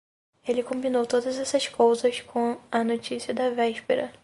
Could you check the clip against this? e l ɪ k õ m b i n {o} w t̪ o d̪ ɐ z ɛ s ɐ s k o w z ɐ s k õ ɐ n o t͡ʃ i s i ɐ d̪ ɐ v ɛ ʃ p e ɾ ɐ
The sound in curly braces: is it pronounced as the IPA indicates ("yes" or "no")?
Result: yes